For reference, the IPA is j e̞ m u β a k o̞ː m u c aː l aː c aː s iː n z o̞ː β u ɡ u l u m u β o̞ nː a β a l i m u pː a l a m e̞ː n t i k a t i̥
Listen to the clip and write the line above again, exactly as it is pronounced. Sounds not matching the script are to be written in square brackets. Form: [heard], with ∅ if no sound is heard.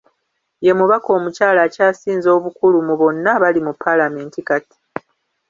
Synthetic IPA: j e̞ m u β a k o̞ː m u c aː l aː c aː s iː n z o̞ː β u [k] u l u m u β o̞ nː a β a l i m u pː a l a m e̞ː n t i k a t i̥